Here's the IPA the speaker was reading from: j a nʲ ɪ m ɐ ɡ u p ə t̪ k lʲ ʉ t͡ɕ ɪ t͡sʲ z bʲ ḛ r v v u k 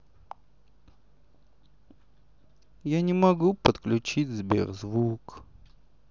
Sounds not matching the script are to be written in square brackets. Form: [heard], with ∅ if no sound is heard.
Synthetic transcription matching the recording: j a nʲ ɪ m ɐ ɡ u p ə t̪ k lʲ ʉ t͡ɕ [i] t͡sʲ z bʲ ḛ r [z] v u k

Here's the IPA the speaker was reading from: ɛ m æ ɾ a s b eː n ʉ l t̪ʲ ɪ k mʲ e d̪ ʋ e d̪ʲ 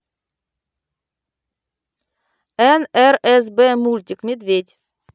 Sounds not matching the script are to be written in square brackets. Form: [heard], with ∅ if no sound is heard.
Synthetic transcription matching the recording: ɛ [n] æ ɾ [ɛ] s b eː [m] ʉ l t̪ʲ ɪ k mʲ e d̪ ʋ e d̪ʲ

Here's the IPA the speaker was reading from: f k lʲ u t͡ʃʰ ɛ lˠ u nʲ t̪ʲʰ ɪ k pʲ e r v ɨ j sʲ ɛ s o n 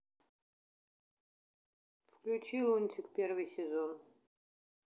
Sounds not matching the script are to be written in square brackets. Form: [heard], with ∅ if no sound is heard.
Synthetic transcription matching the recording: f k lʲ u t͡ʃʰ [i] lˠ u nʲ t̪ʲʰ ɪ k pʲ e r v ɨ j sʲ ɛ [z] o n

